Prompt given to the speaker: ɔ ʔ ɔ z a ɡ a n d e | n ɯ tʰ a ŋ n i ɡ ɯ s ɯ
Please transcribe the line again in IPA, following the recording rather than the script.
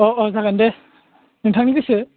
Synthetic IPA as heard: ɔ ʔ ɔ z a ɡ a n d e | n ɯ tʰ a ŋ n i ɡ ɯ s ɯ

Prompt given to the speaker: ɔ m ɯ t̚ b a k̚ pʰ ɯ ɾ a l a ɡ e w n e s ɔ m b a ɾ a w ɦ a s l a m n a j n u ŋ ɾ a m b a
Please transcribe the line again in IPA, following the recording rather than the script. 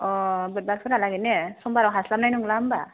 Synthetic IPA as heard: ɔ b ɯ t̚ b a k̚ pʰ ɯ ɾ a l a ɡ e n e s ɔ m b a ɾ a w ɦ a s l a m n a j n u ŋ l a m b a

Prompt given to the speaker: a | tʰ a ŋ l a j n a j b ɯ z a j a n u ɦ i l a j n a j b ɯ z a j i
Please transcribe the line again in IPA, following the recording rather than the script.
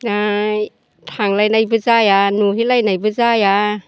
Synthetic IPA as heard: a | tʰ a ŋ l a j n a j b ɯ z a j a n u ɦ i l a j n a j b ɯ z a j a

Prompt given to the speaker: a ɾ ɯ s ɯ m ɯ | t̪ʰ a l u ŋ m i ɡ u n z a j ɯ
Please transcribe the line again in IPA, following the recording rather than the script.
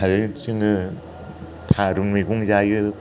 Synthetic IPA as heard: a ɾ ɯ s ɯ ŋ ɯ | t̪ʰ a ɾ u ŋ m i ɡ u ŋ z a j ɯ

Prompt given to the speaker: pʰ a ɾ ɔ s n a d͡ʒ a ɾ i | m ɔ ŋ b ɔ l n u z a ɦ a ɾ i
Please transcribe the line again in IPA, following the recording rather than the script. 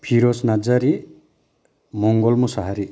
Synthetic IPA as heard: pʰ i ɾ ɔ s n a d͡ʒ a ɾ i | m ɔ ŋ ɡ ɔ l m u s a ɦ a ɾ i

